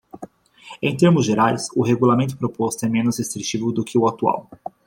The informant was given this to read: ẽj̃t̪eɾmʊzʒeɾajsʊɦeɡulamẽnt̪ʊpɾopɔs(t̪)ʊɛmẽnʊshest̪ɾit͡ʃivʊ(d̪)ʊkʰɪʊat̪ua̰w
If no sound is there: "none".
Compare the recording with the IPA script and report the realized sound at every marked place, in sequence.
t̪, d̪

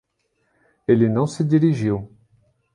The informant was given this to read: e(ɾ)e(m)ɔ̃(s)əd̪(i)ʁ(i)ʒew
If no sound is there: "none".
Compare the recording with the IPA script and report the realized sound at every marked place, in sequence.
l, n, s, i, i

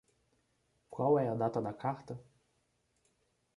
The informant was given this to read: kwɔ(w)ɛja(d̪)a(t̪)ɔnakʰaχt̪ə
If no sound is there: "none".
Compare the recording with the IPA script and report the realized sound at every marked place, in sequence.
w, d̪, t̪

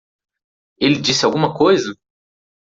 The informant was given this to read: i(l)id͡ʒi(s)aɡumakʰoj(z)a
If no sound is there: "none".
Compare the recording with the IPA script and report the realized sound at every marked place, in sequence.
l, s, z

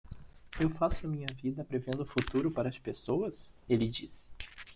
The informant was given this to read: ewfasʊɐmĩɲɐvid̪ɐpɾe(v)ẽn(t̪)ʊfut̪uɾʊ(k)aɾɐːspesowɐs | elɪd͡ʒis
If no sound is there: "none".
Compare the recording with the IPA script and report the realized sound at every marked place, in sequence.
v, d̪, p

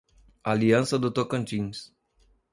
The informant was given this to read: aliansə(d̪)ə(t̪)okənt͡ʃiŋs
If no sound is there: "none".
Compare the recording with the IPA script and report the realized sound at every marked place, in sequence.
d̪, t̪

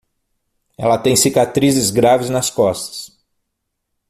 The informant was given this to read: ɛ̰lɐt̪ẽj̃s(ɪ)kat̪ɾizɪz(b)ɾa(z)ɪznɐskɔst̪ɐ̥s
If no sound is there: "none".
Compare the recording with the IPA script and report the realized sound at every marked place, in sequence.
i, ɡ, v

